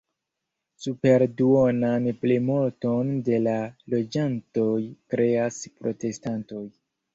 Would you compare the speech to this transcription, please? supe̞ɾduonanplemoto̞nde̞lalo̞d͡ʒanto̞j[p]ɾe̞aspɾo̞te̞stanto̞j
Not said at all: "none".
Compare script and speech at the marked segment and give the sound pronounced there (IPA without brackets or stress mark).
k